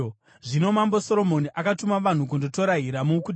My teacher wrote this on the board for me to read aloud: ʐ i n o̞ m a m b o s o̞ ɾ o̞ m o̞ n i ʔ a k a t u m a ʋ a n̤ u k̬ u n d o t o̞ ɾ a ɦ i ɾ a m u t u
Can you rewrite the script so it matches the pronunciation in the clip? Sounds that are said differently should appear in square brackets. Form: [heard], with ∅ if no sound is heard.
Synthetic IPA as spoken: ʐ i n o̞ m a m b o s o̞ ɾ o̞ m o̞ n i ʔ a k a t u m a ʋ a n̤ u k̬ u n d o t o̞ ɾ a ɦ i ɾ a m u [k] u